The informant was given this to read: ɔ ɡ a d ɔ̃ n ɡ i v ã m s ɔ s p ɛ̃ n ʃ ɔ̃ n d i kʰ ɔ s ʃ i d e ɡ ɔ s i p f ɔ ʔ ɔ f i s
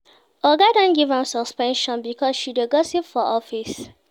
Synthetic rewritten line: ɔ ɡ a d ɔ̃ n ɡ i v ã m s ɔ s p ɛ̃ n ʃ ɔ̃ n b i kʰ ɔ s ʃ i d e ɡ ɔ s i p f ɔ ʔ ɔ f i s